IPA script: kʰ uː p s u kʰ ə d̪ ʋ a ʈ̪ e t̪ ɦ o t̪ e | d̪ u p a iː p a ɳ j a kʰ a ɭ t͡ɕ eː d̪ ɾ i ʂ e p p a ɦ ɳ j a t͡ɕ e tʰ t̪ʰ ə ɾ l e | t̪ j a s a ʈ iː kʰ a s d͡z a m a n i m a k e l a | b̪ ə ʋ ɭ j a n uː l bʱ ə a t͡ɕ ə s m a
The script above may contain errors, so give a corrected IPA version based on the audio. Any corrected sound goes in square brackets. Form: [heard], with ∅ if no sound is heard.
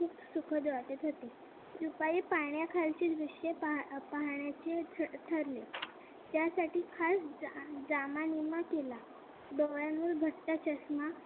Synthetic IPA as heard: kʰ uː p s u kʰ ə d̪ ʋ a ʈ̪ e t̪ ɦ o t̪ e | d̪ u p a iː p a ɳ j a kʰ a [l] t͡ɕ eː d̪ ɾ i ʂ e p p a ɦ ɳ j a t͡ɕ e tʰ t̪ʰ ə ɾ l e | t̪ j a s a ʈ iː kʰ a s d͡z a m a n i m a k e l a | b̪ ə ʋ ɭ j a n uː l bʱ ə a t͡ɕ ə s m a